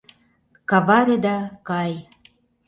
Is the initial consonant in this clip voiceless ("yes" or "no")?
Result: yes